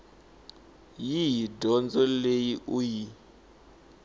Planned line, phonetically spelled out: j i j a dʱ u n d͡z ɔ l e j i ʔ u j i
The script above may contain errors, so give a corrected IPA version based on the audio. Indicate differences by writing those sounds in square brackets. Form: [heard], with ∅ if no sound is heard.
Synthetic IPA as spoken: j i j [i] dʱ [ɔ] n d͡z ɔ l e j i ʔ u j i